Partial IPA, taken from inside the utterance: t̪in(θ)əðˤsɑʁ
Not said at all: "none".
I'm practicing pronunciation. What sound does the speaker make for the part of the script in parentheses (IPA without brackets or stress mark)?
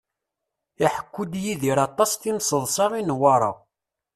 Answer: s